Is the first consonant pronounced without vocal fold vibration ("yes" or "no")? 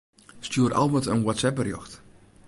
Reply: yes